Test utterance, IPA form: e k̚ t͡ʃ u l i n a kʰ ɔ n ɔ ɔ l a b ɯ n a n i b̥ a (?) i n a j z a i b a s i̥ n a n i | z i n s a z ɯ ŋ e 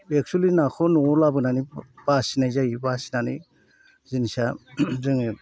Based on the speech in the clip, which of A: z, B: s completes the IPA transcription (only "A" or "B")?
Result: B